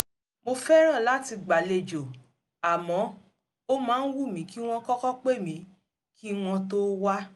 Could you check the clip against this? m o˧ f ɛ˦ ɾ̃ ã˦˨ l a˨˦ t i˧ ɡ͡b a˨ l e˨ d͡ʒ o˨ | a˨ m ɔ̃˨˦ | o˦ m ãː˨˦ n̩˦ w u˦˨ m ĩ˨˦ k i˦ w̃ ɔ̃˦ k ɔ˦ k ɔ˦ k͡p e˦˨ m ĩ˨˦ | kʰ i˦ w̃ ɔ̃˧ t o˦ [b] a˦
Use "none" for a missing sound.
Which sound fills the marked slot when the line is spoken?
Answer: w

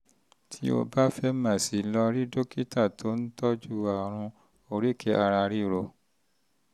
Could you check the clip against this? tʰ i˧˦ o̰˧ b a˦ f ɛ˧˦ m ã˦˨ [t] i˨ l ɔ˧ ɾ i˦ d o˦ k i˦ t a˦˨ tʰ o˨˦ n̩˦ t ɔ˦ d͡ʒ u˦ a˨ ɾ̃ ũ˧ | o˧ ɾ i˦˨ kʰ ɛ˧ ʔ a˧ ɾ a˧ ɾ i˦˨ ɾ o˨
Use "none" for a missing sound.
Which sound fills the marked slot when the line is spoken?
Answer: s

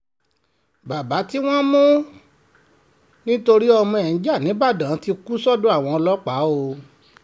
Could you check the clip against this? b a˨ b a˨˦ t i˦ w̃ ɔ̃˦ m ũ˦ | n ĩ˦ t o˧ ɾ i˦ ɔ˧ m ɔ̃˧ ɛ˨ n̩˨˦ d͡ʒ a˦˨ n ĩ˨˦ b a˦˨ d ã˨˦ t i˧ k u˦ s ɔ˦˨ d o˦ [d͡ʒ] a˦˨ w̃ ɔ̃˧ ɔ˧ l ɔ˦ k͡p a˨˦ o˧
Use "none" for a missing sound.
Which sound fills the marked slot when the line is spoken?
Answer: none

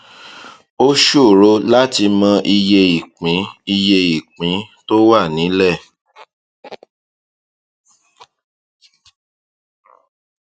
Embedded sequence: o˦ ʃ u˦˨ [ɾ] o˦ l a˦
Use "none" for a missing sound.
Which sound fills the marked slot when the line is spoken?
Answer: ɾ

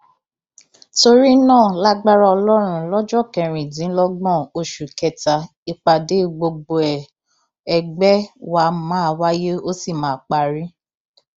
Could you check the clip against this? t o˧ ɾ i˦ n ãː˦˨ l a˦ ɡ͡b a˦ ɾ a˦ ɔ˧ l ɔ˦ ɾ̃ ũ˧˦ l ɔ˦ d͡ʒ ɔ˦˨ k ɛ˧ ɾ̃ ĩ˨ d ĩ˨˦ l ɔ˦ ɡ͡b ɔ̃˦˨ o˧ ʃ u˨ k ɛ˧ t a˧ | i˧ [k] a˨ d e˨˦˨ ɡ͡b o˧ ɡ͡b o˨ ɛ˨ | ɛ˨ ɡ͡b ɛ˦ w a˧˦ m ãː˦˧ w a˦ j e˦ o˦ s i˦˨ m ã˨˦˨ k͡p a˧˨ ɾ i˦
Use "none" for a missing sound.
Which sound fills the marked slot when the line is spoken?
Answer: k͡p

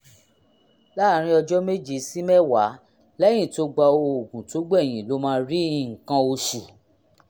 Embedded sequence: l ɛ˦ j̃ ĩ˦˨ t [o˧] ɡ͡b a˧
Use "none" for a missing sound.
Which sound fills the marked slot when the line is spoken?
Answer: o˧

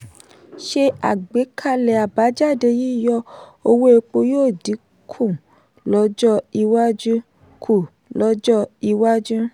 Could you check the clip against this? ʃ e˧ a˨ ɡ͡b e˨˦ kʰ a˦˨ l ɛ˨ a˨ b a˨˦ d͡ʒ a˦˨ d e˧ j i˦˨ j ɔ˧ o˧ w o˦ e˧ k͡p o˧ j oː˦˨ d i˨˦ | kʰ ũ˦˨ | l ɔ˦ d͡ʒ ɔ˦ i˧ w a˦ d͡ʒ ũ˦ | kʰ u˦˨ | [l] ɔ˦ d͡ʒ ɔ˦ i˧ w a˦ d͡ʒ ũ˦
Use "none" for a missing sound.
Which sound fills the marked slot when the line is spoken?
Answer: l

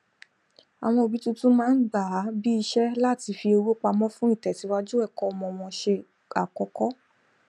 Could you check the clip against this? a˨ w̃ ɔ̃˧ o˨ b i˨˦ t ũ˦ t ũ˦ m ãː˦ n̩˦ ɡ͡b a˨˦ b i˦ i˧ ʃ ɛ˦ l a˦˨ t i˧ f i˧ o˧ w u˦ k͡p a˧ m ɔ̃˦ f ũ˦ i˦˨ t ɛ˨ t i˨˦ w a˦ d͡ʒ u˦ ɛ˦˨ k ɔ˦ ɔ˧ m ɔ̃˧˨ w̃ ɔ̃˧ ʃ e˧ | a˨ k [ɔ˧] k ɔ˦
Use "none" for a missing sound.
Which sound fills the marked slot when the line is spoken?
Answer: ɔ˧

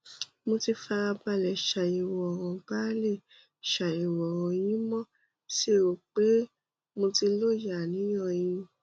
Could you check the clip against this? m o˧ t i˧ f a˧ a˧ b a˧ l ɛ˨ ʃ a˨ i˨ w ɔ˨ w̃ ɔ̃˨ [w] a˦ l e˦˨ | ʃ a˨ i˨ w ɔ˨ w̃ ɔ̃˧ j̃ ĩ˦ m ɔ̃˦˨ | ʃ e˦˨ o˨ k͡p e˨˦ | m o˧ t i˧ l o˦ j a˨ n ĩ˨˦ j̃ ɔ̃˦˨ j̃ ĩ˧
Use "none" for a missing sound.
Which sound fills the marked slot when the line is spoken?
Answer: b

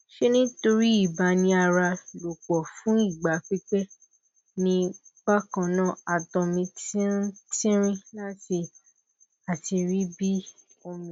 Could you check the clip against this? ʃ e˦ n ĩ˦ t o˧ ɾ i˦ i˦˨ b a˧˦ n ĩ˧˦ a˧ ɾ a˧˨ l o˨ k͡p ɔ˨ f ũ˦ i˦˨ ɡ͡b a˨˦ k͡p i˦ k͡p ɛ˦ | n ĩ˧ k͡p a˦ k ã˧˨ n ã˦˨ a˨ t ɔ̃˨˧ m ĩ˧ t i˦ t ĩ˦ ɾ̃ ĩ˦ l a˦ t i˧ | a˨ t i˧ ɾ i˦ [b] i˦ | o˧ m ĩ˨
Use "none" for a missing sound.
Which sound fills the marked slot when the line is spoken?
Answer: b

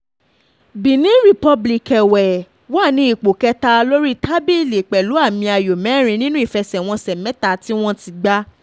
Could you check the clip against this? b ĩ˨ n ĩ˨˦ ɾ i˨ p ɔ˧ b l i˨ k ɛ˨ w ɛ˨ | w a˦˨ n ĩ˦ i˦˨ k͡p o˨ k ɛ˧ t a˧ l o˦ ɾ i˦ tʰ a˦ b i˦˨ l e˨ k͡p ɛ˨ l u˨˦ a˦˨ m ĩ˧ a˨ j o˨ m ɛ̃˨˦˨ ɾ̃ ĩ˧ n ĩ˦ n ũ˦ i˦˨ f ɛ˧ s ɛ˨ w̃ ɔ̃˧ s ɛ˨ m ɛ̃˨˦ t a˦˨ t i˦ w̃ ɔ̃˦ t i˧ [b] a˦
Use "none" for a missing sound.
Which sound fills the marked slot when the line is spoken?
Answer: ɡ͡b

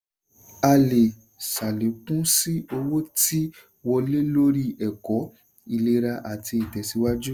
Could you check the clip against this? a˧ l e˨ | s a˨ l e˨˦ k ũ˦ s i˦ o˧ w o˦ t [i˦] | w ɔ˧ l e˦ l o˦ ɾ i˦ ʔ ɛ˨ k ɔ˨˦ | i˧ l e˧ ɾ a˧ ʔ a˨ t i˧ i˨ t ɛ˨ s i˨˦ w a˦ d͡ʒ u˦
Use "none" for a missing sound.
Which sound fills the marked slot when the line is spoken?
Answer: i˦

